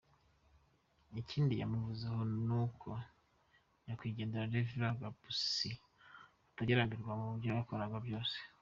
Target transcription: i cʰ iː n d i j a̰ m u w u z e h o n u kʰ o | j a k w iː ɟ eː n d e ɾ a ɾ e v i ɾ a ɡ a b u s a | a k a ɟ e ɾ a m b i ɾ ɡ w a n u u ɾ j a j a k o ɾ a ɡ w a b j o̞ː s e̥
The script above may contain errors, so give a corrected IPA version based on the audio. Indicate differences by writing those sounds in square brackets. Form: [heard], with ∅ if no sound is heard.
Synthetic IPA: i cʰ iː n d i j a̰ m u [v] u z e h o n u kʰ o | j a k w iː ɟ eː n d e ɾ a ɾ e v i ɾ a ɡ a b u s [i] | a [t] a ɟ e ɾ a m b i ɾ ɡ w a [m] u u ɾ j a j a k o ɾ a ɡ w a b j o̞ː s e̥